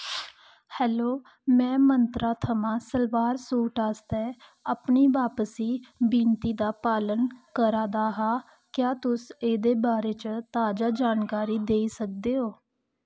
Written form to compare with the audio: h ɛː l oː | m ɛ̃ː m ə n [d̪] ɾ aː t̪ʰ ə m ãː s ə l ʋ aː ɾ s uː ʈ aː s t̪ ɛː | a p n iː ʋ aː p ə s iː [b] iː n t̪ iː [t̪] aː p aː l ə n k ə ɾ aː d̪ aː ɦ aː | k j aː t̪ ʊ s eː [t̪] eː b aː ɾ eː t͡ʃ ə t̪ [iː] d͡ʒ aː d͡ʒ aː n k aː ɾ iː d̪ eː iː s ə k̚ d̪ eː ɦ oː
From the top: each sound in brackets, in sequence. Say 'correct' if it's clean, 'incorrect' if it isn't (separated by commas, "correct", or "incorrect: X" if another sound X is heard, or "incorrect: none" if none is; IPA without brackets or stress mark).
incorrect: t̪, correct, incorrect: d̪, incorrect: d̪, incorrect: aː